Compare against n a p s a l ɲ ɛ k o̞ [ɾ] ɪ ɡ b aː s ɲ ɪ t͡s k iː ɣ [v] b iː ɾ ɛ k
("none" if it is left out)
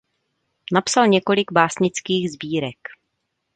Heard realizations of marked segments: l, z

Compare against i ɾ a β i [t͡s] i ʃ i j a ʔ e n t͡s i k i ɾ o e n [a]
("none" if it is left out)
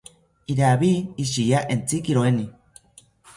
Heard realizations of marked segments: none, i

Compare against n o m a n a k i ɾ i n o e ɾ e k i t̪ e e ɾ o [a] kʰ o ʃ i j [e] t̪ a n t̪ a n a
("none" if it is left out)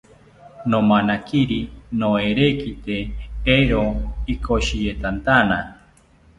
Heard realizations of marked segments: i, e

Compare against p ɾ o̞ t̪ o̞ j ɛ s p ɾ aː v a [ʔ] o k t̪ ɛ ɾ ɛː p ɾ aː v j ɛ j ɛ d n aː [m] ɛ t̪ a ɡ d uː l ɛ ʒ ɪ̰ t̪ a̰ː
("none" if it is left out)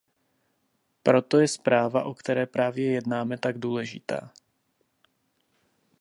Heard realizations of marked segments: ʔ, m

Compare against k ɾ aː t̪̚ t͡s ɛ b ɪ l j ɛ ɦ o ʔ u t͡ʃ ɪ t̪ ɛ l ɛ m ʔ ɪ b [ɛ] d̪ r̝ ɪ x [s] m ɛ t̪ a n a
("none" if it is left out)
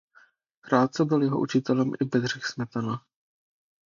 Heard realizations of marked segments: ɛ, s

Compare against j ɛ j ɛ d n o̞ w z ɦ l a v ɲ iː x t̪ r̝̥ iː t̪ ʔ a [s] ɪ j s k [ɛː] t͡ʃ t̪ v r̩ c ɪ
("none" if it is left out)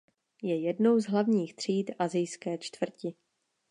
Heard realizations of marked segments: z, ɛː

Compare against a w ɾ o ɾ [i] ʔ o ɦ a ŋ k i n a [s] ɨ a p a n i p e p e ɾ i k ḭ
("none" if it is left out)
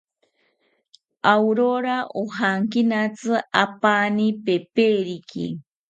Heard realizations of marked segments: a, t͡s

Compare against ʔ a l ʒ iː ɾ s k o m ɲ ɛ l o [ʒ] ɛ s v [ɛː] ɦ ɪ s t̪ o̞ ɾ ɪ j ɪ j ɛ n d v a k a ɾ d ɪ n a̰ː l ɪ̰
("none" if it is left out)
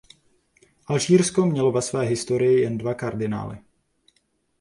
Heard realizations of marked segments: v, ɛː

